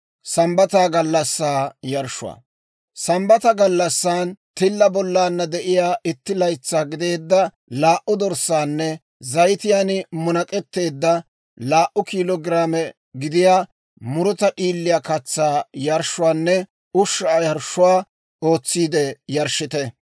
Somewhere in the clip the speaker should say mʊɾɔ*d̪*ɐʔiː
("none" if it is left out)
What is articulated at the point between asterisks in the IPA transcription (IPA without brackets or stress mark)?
t̪